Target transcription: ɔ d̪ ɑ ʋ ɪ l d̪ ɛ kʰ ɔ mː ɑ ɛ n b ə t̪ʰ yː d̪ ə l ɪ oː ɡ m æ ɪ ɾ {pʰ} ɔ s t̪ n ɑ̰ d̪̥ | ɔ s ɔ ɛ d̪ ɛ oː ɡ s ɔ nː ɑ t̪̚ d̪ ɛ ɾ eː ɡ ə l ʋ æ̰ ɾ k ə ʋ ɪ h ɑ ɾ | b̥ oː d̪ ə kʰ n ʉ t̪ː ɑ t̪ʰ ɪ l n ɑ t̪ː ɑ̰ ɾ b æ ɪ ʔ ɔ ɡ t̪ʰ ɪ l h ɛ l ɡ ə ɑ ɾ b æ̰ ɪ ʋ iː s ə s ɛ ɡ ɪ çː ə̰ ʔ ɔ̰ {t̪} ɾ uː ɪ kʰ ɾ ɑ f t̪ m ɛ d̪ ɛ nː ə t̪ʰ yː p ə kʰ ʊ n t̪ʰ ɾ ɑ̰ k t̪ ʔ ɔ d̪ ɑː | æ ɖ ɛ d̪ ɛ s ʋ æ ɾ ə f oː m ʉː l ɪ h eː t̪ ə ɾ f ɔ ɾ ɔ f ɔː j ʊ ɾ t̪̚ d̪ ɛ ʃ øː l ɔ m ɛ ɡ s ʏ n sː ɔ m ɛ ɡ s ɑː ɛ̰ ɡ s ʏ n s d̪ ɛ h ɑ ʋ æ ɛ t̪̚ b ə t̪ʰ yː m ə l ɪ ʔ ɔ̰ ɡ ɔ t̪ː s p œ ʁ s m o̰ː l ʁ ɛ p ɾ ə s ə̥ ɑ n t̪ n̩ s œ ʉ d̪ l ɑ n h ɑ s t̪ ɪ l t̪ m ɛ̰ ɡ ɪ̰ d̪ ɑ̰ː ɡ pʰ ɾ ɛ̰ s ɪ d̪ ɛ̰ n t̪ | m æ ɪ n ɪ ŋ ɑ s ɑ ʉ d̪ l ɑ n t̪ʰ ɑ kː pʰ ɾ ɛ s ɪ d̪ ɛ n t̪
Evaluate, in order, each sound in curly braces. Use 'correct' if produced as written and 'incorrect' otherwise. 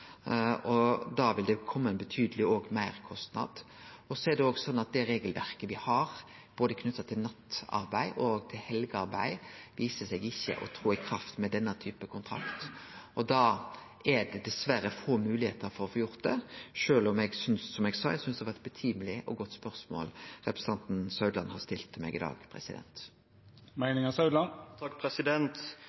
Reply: incorrect, incorrect

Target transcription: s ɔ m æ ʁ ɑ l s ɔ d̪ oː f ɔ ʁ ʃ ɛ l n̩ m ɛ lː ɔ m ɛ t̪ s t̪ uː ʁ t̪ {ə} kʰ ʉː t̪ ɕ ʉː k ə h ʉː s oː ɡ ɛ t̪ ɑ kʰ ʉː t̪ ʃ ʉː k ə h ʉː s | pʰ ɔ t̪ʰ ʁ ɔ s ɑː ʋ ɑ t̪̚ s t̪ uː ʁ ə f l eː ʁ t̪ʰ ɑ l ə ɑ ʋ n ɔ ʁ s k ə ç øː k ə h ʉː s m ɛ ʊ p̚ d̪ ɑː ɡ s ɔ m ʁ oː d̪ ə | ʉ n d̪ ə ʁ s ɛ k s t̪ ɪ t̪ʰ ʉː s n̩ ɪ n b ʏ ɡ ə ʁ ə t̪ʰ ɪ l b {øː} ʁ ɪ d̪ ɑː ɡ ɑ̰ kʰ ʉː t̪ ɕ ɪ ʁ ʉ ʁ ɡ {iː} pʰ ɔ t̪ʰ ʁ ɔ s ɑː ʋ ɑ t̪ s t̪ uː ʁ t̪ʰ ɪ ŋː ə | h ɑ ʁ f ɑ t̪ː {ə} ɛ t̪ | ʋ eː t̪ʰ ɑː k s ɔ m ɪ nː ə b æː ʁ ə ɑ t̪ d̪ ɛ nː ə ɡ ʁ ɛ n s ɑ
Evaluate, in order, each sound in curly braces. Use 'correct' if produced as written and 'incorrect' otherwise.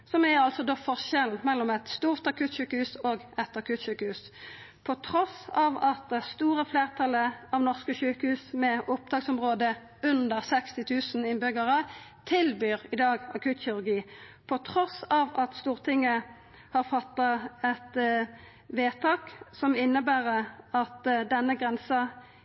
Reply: incorrect, incorrect, correct, incorrect

